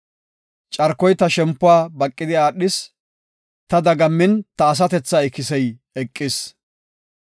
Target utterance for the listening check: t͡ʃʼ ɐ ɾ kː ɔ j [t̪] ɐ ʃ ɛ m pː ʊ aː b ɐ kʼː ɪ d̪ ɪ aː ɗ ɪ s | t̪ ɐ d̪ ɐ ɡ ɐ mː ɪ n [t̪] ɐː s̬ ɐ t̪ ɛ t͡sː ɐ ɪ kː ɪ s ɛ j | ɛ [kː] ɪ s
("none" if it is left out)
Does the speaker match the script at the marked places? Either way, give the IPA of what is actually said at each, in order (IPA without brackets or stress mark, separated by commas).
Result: t̪, t̪, kʼː